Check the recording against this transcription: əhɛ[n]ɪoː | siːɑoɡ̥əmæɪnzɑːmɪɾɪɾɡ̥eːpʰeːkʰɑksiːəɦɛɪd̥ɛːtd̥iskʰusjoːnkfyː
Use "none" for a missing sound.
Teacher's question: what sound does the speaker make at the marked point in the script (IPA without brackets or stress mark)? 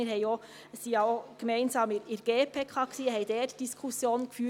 none